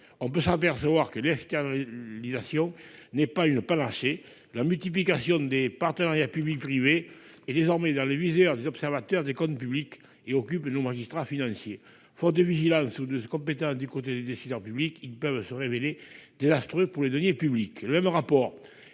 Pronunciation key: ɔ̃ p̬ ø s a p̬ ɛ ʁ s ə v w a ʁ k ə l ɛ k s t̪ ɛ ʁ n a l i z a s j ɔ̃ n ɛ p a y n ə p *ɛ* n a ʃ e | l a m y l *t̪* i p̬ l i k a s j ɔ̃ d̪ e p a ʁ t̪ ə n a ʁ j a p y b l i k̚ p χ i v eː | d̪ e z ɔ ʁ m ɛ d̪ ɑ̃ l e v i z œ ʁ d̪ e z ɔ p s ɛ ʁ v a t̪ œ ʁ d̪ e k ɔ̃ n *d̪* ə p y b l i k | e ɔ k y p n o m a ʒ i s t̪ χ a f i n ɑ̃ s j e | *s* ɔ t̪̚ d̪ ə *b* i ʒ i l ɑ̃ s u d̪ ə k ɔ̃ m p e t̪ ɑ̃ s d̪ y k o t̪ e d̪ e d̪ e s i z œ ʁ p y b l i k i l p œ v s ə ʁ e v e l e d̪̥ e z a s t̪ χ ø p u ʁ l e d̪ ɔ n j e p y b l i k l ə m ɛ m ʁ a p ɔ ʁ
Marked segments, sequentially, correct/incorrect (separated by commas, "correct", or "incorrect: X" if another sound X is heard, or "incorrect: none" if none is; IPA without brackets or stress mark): incorrect: a, correct, incorrect: t̪, incorrect: f, incorrect: v